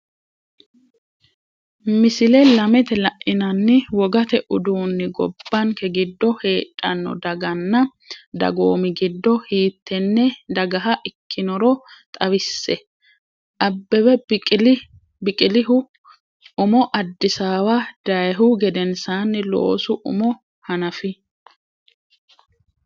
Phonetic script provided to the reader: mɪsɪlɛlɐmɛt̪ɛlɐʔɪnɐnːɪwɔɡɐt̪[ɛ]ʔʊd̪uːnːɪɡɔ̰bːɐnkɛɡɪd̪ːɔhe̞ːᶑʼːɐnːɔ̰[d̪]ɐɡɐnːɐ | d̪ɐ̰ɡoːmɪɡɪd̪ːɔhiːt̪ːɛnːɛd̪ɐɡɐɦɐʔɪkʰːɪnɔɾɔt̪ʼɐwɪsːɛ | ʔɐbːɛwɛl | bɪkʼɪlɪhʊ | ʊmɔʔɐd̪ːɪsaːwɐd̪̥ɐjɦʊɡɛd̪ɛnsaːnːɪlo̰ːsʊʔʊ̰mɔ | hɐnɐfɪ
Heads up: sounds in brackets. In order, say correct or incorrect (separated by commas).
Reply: correct, correct